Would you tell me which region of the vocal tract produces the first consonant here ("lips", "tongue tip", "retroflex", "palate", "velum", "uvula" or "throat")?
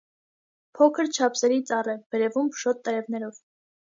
lips